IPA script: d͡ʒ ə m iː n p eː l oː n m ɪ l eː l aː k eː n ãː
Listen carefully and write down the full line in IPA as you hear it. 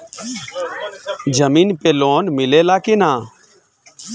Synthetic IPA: d͡ʒ ə m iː n p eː l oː n m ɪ l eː l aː k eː n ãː